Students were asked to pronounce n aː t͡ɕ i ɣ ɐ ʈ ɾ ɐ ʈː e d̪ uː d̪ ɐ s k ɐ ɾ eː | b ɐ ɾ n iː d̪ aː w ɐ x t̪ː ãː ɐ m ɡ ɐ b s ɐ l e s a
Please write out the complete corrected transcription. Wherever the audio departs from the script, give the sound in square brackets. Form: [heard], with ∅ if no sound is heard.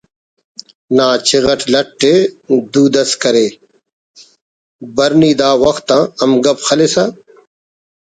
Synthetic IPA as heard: n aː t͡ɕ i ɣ ɐ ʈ [l] ɐ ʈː e d̪ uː d̪ ɐ s k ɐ ɾ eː | b ɐ ɾ n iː d̪ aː w ɐ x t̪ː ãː ɐ m ɡ ɐ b [x] ɐ l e s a